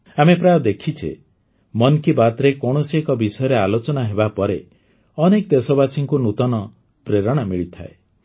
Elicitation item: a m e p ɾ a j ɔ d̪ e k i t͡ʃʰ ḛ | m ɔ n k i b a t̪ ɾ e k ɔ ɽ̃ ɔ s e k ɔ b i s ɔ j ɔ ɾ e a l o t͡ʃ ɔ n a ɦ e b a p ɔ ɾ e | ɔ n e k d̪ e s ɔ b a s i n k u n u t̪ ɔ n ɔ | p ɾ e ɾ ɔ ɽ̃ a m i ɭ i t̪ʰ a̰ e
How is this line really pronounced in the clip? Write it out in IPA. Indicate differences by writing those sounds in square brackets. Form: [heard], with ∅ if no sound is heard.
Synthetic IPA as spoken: a m e p ɾ a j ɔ d̪ e [kʰ] i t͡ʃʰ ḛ | m ɔ n k i b a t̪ ɾ e k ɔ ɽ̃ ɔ s e k ɔ b i s ɔ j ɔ ɾ e a l o t͡ʃ ɔ n a ɦ e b a p ɔ ɾ e | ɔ n e k d̪ e s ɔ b a s i [ŋ] k u n u t̪ ɔ n ɔ | p ɾ e ɾ ɔ ɽ̃ a m i ɭ i t̪ʰ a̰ e